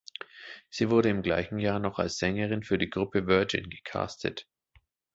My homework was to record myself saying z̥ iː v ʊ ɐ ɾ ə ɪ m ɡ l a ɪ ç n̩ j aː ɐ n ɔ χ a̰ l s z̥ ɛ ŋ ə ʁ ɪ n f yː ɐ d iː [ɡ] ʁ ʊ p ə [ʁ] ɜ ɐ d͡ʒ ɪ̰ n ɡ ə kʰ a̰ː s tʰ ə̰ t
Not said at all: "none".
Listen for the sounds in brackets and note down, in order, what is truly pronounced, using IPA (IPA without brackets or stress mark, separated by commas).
ɡ, v